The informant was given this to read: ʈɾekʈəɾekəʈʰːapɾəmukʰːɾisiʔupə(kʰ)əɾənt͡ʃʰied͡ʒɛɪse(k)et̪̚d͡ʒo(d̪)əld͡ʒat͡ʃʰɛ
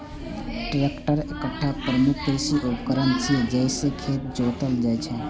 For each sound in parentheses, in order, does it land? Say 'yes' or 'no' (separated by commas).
no, no, no